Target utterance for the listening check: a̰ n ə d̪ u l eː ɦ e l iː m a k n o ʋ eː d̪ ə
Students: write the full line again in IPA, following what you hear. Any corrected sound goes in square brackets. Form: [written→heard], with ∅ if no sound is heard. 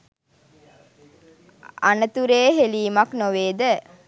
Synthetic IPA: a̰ n ə [d̪→t̪] u [l→ɾ] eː ɦ e l iː m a k n o ʋ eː d̪ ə